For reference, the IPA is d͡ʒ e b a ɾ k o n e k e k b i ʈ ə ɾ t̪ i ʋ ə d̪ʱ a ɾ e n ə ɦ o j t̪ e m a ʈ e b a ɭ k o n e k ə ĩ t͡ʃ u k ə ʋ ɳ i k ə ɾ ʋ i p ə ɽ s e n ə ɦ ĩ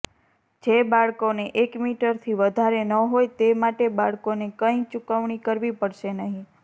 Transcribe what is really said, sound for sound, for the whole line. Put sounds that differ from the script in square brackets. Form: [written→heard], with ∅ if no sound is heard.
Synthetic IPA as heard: d͡ʒ e b a [ɾ→ɭ] k o n e [k→ʔ] e k [b→m] i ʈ ə ɾ [t̪→t̪ʰ] i ʋ ə d̪ʱ a ɾ e n ə ɦ o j t̪ e m a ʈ e b a ɭ k o n e k ə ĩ t͡ʃ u k ə ʋ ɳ i k ə ɾ ʋ i p ə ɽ [s→ʃ] e n ə ɦ ĩ